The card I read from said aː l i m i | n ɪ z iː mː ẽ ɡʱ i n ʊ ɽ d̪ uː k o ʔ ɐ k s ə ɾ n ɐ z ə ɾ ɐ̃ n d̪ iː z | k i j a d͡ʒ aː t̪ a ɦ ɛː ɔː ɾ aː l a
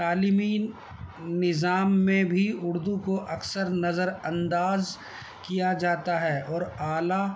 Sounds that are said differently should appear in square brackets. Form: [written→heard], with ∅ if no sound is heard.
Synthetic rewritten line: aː l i m i | n ɪ z [iː→aː] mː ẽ [ɡʱ→bʱ] i [n→∅] ʊ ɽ d̪ [uː→u] k o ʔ ɐ k s ə ɾ n ɐ z ə ɾ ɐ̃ n d̪ [iː→aː] z | k i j a d͡ʒ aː t̪ a ɦ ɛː ɔː ɾ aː l a